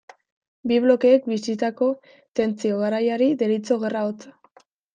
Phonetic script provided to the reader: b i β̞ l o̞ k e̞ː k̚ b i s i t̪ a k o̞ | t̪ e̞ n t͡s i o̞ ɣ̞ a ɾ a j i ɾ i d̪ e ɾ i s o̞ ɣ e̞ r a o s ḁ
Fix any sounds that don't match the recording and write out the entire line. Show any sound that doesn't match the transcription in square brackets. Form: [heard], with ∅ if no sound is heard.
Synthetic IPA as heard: b i β̞ l o̞ k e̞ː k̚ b i s i t̪ a k o̞ | t̪ e̞ n t͡s i o̞ ɣ̞ a ɾ a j [a] ɾ i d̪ e ɾ i [t͡s] o̞ ɣ e̞ r a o [t͡s] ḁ